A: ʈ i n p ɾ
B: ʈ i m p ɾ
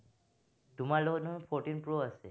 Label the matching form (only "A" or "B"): A